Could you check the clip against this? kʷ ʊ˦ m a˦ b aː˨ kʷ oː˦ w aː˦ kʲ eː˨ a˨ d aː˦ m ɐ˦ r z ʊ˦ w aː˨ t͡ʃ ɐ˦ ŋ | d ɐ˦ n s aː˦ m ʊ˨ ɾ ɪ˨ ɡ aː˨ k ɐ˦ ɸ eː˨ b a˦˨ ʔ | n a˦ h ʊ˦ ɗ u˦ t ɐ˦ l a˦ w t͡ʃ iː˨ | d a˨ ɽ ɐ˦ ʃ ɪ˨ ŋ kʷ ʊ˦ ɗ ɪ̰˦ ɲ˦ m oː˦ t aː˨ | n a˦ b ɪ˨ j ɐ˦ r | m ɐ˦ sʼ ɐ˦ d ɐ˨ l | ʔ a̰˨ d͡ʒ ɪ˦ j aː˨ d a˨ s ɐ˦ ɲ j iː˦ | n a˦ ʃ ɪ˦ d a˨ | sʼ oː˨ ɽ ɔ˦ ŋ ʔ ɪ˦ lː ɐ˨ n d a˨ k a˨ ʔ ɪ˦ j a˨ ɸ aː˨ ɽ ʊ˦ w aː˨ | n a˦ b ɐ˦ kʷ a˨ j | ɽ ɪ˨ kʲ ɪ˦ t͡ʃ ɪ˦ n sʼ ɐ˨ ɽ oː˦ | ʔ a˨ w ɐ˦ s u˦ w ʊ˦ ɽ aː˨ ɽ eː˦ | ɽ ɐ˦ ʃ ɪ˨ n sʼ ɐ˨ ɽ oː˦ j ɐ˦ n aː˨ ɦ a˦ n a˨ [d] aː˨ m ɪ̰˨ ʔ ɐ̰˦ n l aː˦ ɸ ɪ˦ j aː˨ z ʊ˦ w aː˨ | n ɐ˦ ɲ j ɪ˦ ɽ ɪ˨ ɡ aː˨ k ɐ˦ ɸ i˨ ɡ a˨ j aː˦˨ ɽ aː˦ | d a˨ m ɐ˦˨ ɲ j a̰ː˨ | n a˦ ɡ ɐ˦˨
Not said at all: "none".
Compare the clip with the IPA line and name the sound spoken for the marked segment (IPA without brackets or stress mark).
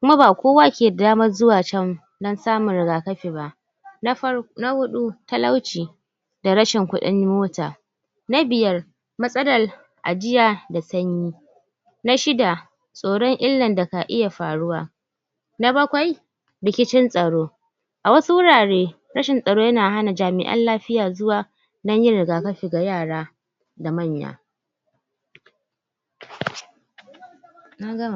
d͡ʒ